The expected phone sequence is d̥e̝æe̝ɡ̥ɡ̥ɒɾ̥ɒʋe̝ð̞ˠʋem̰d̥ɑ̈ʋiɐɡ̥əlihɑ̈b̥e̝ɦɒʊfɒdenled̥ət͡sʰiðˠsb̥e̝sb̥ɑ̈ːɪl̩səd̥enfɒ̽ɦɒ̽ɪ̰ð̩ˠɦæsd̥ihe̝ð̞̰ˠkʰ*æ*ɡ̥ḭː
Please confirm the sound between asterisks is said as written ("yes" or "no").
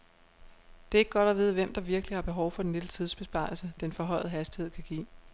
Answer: yes